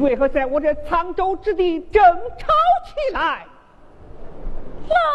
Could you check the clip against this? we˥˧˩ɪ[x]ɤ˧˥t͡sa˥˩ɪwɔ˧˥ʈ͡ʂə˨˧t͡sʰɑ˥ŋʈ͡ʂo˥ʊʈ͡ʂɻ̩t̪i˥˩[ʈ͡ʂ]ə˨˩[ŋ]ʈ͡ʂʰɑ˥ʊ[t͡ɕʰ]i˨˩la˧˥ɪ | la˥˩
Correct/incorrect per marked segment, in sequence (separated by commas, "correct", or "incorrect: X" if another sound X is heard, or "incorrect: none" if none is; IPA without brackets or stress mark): correct, correct, correct, correct